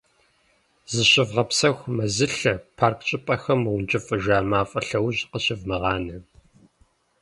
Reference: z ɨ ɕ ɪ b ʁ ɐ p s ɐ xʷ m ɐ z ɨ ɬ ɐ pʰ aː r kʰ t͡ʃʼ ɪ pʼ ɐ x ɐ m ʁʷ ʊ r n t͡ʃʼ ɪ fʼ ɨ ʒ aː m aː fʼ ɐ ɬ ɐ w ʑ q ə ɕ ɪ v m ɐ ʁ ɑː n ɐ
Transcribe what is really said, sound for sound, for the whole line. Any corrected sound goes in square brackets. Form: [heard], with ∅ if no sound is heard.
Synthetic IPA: z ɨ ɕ ɪ [v] ʁ ɐ p s ɐ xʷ m ɐ z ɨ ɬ ɐ pʰ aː r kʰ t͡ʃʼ ɪ pʼ ɐ x ɐ m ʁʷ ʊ [∅] n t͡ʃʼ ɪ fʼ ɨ ʒ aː m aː fʼ ɐ ɬ ɐ w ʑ q ə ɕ ɪ v m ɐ ʁ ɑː n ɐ